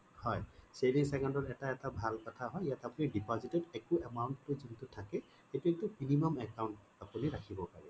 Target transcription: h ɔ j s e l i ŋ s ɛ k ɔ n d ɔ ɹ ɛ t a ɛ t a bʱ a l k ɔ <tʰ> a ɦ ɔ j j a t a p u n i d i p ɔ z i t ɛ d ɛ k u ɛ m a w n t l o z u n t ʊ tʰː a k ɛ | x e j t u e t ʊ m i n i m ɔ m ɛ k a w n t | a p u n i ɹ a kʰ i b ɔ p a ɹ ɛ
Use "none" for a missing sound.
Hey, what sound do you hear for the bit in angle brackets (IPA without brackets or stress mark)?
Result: tʰ